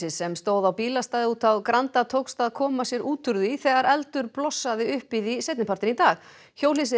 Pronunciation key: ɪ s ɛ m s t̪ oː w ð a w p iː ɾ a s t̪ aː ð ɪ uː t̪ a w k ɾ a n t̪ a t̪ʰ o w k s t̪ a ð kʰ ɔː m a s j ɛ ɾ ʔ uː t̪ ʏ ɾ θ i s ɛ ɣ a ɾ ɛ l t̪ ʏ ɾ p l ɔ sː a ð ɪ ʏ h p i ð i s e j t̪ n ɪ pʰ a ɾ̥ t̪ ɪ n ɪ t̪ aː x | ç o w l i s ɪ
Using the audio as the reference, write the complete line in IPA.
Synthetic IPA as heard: ɪ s ɛ m s t̪ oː w ð a w p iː l a s t̪ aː ð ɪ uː t̪ a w k ɾ a n t̪ a t̪ʰ o w k s t̪ a ð kʰ ɔː m a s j ɛ ɾ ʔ uː t̪ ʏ ɾ ð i θ ɛ ɣ a ɾ ɛ l t̪ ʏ ɾ p l ɔ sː a ð ɪ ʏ h p i ð i s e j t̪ n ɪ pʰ a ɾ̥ t̪ ɪ n i t̪ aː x | ç o w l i s ɪ